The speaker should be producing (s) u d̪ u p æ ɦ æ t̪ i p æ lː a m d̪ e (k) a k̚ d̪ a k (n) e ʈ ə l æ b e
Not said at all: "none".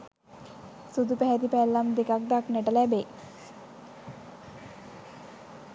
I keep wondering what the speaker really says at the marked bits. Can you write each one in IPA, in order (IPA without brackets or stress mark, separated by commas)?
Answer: s, k, n